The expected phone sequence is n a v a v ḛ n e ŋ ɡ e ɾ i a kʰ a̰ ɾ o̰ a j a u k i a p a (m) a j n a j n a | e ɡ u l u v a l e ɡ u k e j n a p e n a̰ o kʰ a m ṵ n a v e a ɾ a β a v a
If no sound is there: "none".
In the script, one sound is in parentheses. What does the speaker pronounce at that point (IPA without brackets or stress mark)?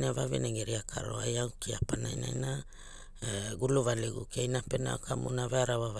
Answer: n